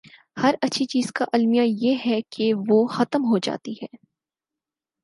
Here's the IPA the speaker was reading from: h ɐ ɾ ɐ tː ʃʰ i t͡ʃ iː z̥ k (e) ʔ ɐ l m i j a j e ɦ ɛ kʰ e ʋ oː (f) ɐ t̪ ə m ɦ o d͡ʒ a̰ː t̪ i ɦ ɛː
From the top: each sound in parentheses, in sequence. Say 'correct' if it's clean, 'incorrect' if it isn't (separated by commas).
incorrect, incorrect